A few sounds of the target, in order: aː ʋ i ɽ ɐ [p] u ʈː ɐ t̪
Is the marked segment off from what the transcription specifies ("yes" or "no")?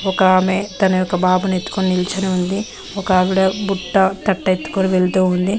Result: yes